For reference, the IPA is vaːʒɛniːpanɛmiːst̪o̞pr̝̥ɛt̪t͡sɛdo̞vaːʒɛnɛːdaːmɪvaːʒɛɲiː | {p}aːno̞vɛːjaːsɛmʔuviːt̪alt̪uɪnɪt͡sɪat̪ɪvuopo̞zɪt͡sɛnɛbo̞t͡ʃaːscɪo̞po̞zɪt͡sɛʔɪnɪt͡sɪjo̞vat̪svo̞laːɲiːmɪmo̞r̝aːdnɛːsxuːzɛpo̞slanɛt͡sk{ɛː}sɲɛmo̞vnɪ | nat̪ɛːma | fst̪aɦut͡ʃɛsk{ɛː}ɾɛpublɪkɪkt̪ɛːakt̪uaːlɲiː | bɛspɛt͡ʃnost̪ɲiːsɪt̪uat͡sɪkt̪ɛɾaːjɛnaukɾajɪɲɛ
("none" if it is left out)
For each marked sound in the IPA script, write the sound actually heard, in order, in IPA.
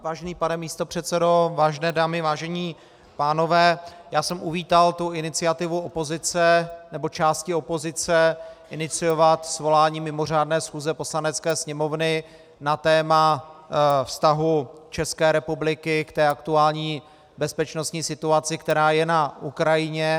p, ɛː, ɛː

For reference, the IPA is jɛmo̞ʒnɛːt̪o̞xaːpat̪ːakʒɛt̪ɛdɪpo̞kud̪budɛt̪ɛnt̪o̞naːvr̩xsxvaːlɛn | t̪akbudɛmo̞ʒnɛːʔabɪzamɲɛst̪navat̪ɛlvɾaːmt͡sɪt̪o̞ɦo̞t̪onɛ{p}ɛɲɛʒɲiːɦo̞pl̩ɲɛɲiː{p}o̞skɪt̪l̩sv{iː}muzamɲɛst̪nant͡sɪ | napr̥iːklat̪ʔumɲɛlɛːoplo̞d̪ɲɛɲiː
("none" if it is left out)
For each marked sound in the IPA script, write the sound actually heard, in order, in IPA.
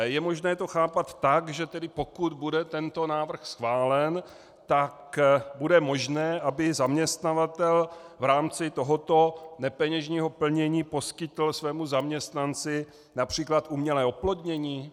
p, p, ɛː

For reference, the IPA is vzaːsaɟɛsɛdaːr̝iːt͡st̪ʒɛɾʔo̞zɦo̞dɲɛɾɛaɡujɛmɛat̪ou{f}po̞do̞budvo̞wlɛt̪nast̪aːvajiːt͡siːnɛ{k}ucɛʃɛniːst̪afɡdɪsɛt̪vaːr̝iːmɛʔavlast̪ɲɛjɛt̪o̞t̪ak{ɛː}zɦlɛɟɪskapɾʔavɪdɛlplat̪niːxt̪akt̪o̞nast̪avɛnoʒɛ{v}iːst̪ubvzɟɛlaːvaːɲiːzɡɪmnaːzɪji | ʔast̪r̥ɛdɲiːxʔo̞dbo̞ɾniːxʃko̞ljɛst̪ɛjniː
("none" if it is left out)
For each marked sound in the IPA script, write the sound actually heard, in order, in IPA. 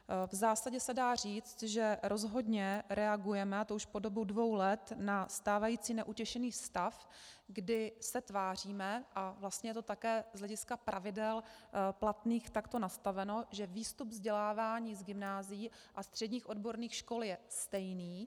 ʃ, ʔ, ɛː, v

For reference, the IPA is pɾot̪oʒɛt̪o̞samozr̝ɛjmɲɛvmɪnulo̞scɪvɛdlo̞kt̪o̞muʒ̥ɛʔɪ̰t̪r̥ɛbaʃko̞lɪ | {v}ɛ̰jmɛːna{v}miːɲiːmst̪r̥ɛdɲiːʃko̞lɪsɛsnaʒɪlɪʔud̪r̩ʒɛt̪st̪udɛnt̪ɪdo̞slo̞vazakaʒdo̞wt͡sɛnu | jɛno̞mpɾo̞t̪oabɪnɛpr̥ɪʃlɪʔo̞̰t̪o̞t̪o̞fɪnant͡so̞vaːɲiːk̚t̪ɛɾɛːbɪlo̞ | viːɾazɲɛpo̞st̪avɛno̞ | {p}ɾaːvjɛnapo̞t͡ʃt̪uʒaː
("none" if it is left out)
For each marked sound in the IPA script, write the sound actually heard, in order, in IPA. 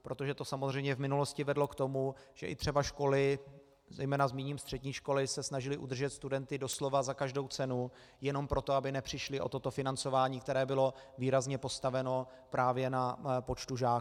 z, z, p

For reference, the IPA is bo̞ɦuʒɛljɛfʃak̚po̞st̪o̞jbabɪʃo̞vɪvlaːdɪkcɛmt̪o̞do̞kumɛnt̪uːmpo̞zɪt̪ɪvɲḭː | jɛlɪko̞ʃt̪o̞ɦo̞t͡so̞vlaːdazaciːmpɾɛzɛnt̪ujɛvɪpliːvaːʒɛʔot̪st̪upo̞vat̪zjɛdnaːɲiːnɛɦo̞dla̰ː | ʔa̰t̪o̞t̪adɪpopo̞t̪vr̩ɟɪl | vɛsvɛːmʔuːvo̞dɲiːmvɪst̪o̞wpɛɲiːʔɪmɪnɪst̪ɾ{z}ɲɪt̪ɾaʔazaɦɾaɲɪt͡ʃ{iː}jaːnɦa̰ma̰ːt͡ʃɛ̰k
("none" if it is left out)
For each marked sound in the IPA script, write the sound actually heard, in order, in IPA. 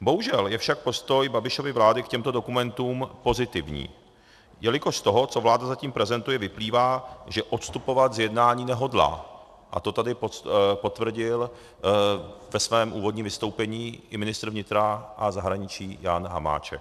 v, iː

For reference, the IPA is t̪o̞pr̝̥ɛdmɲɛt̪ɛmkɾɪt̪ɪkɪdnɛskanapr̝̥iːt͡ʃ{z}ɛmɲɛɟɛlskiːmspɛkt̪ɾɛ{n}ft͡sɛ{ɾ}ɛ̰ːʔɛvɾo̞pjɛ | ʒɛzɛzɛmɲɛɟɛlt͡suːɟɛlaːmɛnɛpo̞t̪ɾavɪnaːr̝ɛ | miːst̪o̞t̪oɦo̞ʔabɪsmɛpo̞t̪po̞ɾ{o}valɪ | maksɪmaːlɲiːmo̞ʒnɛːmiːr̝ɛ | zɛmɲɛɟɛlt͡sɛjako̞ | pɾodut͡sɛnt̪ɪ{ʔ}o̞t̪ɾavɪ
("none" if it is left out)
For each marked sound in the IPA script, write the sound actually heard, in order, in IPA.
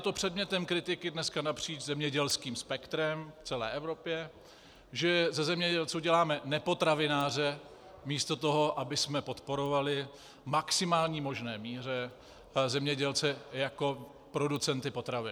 z, m, l, o, p

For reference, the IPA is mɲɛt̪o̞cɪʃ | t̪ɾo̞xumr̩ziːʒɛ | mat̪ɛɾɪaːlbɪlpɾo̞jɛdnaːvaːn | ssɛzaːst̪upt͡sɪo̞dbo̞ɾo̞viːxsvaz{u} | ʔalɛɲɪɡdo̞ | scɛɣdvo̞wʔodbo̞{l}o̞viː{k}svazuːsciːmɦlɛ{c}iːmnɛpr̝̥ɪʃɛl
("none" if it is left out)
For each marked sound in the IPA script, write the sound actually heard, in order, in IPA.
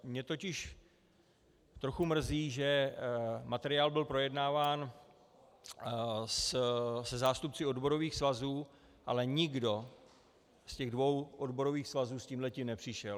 uː, ɾ, x, c

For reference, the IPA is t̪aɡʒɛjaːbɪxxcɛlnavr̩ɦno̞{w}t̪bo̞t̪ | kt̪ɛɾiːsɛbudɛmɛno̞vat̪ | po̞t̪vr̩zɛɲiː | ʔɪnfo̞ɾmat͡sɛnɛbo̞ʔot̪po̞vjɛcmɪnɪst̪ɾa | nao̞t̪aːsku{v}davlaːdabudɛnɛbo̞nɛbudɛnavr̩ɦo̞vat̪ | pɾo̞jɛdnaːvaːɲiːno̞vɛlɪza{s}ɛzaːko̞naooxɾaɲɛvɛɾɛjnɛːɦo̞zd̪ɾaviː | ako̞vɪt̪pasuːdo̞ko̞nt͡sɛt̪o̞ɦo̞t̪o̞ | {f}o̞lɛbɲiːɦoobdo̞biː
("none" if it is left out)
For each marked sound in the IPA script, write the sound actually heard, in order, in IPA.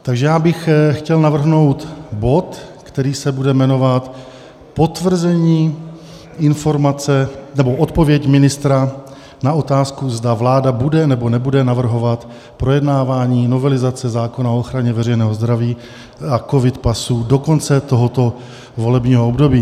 w, z, t͡s, v

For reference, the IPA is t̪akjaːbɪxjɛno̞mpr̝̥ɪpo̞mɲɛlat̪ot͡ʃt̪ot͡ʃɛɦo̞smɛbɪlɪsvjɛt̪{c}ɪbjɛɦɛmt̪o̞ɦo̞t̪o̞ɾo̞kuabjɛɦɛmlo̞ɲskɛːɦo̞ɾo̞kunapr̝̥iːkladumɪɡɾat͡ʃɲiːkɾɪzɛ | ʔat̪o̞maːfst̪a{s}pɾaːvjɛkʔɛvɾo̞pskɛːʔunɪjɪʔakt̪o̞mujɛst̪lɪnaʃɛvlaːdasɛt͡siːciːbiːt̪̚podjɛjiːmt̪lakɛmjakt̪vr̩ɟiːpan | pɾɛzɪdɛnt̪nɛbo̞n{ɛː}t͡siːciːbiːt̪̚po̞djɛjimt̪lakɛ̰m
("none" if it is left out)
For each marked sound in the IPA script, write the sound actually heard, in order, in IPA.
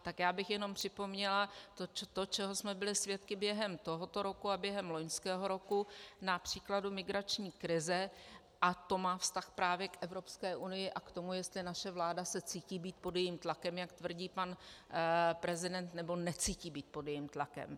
k, x, ɛ

